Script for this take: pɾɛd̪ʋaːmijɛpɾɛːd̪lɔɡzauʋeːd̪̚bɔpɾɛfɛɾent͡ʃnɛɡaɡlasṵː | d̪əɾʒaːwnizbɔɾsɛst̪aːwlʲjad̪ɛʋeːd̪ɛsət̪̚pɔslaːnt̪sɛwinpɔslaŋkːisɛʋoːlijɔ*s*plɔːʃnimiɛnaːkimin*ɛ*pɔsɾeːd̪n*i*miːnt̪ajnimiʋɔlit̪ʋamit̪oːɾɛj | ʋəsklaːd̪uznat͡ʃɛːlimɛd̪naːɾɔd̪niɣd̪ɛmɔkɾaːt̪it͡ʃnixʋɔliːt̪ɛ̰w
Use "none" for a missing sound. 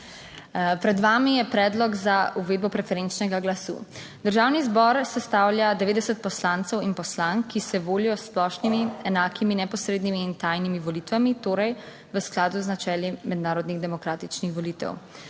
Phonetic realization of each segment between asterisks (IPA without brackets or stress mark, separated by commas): s, ɛ, i